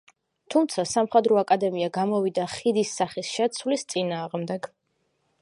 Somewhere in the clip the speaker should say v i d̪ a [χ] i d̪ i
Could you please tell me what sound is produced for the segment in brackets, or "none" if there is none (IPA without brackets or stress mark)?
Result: χ